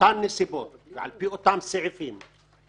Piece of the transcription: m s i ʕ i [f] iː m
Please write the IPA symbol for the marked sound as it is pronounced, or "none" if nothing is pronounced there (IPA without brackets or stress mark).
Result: f